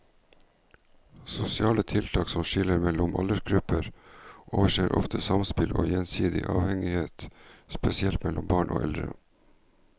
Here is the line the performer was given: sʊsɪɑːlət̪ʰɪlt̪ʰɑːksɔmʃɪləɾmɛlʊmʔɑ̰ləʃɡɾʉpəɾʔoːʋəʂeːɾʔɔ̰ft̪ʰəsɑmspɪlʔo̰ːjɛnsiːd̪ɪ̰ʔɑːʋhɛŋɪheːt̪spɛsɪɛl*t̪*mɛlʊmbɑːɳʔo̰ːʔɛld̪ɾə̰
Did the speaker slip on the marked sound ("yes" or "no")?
no